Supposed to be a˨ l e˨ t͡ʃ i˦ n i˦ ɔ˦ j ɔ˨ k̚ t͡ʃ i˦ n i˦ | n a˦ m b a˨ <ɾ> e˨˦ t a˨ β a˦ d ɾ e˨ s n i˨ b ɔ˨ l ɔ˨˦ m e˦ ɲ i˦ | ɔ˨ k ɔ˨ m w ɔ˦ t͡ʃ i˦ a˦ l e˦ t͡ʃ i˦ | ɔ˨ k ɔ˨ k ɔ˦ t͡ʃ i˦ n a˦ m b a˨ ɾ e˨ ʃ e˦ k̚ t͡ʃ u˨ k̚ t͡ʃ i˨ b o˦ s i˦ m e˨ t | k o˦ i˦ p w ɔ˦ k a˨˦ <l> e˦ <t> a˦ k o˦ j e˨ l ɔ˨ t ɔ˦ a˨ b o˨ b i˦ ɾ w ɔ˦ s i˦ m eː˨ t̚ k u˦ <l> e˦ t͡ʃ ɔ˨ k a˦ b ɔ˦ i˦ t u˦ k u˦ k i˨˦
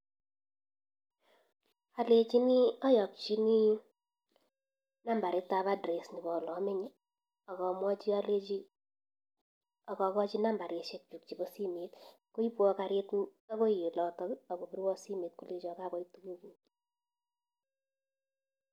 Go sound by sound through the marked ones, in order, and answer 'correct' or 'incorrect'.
correct, incorrect: ɾ, correct, correct

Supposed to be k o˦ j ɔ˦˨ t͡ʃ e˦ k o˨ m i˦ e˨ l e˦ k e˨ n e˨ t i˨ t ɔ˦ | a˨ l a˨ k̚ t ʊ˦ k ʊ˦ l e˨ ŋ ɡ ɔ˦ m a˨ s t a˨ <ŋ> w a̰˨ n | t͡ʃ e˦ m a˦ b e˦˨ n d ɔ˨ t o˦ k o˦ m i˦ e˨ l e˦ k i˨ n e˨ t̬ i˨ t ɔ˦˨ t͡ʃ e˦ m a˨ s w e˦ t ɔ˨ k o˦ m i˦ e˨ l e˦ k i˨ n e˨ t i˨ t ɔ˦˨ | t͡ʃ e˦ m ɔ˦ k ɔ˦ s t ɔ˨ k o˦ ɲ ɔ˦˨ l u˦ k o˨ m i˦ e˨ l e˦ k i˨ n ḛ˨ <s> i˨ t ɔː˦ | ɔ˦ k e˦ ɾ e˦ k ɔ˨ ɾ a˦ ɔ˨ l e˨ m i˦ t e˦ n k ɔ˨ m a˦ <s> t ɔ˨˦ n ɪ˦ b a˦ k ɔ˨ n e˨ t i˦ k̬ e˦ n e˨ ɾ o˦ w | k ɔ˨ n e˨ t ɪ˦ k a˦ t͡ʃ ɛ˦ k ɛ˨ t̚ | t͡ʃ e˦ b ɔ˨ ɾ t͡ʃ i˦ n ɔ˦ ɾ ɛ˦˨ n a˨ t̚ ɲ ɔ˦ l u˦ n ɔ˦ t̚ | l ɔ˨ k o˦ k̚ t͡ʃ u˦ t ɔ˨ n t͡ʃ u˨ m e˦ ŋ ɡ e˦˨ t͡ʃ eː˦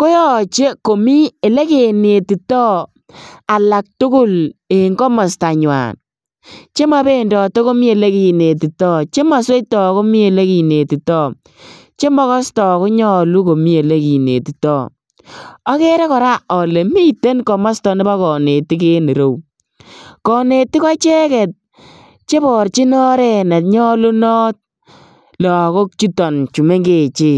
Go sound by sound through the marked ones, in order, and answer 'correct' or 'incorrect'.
incorrect: ɲ, incorrect: t, correct

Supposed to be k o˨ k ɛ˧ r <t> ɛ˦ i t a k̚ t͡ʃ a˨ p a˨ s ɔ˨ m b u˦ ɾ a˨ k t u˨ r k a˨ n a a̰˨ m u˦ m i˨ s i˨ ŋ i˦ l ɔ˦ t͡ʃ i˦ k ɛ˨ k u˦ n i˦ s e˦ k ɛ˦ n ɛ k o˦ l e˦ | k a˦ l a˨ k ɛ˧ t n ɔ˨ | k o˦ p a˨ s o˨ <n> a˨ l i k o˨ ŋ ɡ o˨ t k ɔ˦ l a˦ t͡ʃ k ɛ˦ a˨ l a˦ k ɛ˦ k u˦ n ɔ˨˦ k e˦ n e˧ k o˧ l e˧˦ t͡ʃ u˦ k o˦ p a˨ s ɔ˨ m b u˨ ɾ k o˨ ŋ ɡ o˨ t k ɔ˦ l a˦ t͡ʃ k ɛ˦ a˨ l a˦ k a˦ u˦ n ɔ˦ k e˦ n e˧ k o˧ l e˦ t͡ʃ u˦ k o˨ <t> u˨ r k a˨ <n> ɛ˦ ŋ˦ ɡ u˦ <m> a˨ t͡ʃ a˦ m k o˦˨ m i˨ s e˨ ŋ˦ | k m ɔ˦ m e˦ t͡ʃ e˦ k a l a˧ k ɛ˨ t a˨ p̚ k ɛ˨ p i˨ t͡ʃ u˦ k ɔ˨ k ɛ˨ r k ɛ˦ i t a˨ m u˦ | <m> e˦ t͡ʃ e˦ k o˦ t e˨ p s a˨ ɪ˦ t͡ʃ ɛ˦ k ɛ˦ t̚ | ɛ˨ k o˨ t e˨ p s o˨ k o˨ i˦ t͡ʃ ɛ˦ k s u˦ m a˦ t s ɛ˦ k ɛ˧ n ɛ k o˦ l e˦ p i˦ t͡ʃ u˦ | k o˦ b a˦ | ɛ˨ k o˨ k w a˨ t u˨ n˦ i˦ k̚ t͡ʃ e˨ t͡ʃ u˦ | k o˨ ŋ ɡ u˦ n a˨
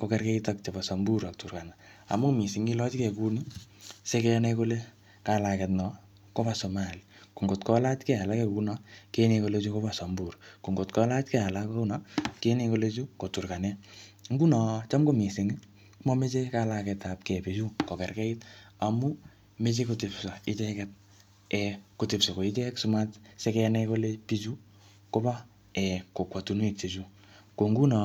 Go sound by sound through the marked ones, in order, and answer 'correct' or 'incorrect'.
incorrect: k, incorrect: m, correct, correct, incorrect: n, correct

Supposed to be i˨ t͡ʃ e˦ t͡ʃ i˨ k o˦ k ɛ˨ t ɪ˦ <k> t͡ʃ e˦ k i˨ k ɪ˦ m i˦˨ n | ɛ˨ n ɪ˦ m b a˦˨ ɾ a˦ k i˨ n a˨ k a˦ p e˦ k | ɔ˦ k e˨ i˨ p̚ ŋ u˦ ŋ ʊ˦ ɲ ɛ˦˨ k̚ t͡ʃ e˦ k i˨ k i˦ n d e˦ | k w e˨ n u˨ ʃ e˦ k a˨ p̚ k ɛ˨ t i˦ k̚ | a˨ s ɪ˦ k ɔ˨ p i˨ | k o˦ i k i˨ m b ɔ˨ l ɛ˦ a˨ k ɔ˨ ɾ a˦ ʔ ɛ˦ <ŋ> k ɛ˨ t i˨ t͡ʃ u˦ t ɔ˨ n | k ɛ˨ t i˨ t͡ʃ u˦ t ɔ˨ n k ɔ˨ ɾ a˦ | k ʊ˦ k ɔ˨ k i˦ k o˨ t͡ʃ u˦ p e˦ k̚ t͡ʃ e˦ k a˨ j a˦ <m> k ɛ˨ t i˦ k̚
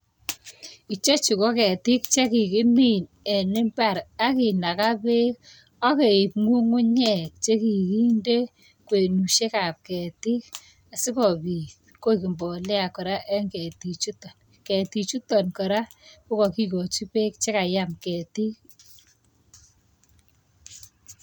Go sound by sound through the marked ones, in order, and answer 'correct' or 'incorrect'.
correct, correct, correct

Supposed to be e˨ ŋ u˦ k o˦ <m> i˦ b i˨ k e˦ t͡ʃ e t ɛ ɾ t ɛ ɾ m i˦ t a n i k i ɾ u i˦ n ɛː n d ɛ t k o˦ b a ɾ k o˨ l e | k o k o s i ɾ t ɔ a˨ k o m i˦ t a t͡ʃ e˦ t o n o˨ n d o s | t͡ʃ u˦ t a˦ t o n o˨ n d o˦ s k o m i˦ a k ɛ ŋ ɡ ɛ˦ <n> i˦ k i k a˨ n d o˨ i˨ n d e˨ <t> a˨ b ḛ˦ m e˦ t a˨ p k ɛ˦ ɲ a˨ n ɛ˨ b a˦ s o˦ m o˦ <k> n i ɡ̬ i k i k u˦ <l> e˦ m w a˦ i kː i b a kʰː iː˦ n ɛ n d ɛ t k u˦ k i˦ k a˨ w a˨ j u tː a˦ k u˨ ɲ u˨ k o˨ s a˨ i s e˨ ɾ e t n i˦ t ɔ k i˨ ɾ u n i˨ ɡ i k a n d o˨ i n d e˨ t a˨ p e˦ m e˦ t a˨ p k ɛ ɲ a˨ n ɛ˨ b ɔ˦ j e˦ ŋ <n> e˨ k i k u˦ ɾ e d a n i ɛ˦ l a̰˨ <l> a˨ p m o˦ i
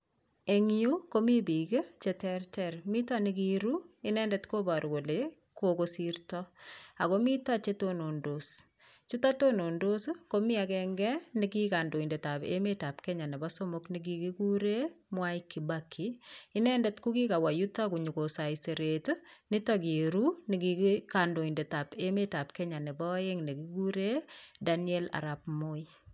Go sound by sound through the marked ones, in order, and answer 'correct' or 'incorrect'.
correct, correct, correct, correct, incorrect: ɾ, correct, incorrect: ɾ

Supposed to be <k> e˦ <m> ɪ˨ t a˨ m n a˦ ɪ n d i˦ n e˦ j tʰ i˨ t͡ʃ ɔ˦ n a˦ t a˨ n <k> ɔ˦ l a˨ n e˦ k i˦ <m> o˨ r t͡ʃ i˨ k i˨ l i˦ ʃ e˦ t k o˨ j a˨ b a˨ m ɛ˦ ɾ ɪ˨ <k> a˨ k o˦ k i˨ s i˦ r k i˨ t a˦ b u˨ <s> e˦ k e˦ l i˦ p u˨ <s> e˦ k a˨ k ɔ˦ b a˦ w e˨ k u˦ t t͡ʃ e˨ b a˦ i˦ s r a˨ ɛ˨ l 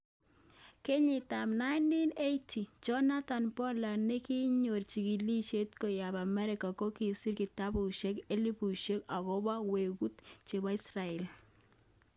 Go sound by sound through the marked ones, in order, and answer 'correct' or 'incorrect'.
correct, incorrect: ɲ, incorrect: p, incorrect: ɲ, correct, incorrect: ʃ, incorrect: ʃ

